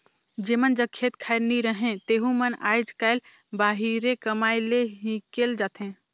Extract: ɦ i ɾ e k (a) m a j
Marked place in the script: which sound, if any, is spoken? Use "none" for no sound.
ə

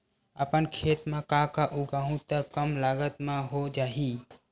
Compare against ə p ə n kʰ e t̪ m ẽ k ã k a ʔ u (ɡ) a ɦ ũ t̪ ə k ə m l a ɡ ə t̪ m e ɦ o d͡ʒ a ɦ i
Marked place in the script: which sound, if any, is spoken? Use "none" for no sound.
ɡ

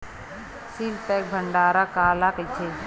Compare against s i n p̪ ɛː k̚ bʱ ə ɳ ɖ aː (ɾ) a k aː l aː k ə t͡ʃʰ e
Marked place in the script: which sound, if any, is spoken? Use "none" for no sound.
ɾ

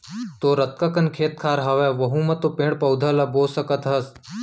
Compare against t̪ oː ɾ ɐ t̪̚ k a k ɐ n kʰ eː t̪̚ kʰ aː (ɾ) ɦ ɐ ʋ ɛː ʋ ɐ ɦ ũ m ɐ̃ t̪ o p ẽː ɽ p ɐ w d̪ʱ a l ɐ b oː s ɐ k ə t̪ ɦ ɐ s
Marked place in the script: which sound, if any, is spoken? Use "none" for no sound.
ɾ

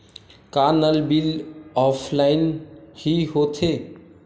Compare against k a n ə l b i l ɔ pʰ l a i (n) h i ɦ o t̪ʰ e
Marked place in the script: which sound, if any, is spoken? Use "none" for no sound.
n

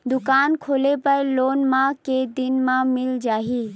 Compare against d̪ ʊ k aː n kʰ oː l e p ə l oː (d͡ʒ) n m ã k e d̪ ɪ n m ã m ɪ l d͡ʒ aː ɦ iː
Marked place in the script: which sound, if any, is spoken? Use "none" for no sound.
none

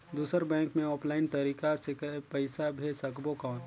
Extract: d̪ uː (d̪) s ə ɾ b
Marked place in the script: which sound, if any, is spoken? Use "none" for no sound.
none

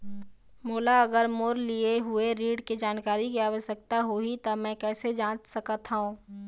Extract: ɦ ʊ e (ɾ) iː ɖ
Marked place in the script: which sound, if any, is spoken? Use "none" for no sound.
ɾ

